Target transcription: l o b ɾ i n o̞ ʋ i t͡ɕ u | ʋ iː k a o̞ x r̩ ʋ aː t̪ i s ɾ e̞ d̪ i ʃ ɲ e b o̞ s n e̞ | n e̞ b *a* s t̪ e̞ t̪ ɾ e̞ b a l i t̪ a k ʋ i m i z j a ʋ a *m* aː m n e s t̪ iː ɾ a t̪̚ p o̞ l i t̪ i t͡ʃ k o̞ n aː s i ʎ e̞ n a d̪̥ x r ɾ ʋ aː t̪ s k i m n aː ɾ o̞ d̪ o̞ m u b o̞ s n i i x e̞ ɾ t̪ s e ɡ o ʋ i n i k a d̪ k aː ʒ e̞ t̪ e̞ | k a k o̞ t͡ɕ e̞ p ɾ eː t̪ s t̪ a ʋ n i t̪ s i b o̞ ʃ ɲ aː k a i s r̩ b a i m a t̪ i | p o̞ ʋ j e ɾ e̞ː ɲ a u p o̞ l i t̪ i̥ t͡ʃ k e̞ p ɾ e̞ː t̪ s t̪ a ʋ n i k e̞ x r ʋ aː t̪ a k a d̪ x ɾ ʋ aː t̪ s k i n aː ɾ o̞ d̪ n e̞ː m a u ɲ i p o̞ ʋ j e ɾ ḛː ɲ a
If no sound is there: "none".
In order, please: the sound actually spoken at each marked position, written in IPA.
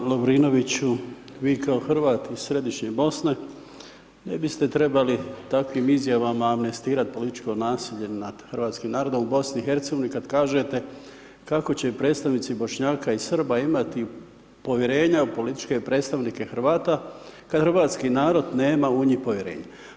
i, m

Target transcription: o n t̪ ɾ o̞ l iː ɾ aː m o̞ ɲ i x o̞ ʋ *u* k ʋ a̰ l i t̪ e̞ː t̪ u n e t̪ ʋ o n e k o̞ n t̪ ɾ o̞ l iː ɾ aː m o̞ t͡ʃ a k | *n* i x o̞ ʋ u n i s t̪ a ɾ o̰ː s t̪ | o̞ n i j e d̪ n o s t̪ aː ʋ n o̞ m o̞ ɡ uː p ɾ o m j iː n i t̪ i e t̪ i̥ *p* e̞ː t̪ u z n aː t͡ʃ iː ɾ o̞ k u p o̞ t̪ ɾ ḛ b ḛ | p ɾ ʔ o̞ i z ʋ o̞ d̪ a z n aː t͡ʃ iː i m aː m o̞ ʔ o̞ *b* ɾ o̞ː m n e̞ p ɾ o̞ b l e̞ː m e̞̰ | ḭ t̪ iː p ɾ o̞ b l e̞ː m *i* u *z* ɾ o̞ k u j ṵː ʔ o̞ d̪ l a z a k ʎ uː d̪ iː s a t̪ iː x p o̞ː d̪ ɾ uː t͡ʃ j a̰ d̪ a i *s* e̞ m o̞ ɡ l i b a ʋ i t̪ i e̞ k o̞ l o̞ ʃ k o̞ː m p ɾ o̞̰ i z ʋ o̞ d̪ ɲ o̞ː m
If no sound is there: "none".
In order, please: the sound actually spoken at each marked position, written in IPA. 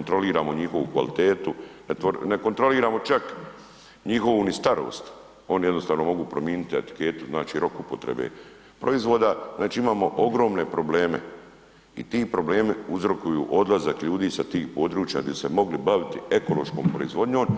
u, ɲ, k, ɡ, i, z, s

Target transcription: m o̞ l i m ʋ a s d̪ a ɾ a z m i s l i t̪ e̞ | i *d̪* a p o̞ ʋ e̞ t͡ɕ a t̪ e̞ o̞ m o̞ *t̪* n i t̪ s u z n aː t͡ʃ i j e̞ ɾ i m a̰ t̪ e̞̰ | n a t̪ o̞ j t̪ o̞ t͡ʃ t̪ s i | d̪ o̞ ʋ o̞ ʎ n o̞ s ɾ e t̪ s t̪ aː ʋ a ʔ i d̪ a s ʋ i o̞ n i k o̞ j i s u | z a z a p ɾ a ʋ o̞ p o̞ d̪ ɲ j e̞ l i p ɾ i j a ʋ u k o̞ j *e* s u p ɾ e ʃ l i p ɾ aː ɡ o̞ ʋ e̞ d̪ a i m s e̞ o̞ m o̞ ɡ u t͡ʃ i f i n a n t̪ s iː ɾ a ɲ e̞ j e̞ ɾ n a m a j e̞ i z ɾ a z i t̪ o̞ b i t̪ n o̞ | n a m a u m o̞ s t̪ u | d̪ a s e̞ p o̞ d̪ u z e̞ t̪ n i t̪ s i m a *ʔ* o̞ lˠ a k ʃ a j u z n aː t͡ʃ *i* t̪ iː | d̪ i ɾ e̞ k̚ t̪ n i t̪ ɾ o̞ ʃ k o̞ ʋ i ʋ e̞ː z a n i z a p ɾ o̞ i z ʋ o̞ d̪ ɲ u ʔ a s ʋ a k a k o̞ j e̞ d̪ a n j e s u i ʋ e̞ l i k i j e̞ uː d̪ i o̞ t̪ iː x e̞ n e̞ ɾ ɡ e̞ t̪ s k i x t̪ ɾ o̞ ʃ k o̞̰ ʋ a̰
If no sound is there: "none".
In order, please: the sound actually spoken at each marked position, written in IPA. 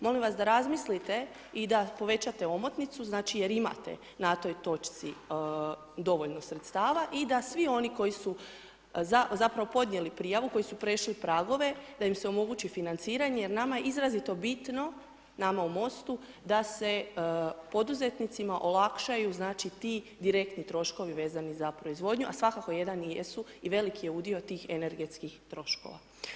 d̪, t̪, i, ʔ, i

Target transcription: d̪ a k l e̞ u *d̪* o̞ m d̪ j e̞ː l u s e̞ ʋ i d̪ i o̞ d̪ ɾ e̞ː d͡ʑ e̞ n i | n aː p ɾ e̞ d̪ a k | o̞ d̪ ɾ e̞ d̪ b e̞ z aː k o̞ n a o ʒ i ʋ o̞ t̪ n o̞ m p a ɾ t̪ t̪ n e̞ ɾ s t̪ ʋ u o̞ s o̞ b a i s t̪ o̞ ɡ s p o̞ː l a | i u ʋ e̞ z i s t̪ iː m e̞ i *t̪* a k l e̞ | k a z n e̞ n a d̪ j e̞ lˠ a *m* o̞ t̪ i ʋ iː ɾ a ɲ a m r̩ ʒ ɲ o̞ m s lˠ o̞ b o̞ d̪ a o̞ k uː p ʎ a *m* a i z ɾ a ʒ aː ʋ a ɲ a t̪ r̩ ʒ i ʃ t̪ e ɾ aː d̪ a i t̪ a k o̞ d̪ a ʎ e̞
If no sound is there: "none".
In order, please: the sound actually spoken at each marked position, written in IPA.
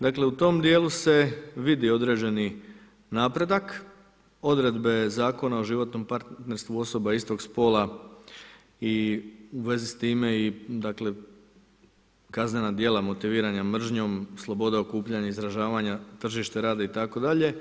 t̪, d̪, m, ɲ

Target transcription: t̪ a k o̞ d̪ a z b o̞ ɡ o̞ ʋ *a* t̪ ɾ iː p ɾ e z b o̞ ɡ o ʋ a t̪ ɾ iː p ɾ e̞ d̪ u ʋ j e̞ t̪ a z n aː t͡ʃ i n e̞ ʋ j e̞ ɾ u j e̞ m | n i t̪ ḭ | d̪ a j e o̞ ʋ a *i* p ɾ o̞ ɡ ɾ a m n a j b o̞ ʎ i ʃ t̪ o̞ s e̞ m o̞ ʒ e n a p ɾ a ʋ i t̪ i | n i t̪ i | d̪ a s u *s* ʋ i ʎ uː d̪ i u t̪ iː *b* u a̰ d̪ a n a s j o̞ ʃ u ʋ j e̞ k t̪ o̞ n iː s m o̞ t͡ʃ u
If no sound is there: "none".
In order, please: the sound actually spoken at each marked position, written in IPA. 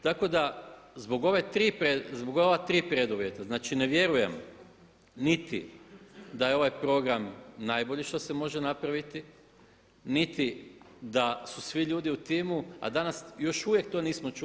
e, j, s, m

